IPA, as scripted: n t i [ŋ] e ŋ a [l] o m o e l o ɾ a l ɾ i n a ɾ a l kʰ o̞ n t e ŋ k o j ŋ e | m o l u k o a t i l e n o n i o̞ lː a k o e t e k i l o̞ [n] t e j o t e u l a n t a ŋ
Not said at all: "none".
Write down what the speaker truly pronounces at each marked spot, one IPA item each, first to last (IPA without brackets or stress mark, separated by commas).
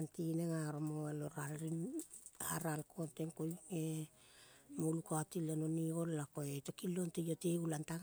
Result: n, ɾ, n